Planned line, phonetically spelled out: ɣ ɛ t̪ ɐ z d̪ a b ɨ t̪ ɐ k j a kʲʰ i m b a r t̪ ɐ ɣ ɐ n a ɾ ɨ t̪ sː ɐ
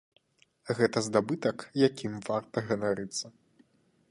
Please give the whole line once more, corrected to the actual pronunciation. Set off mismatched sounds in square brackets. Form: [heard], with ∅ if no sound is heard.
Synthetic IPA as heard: ɣ ɛ t̪ ɐ z d̪ a b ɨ t̪ ɐ k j a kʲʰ i m [v] a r t̪ ɐ ɣ ɐ n a ɾ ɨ t̪ sː ɐ